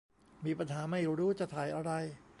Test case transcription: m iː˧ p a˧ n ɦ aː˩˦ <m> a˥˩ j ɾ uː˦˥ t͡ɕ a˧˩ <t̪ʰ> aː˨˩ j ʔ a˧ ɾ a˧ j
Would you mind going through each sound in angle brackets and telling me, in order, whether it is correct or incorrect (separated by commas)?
correct, correct